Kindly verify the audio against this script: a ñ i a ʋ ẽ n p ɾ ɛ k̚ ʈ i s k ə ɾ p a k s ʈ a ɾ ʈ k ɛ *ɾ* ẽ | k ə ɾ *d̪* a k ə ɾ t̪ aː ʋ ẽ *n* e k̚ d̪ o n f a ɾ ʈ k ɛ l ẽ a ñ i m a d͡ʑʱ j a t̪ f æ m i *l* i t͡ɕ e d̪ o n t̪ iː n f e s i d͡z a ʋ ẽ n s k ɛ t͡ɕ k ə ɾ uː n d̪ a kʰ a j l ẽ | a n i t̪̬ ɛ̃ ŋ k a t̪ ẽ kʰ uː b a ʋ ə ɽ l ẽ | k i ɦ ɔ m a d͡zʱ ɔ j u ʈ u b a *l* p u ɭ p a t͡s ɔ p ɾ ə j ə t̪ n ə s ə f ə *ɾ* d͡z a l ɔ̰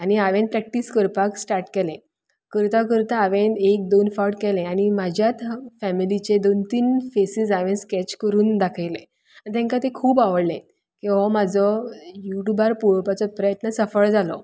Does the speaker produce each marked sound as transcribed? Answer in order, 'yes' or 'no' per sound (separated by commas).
no, no, yes, yes, no, no